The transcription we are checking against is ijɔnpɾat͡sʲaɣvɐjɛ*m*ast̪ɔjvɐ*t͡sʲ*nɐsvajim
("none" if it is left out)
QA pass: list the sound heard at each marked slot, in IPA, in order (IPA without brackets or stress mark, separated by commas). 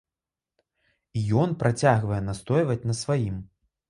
n, t͡sʲ